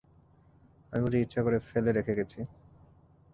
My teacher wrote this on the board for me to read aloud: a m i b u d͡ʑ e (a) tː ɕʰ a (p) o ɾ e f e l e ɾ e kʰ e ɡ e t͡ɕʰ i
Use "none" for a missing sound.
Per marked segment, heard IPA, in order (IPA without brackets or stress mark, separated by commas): i, k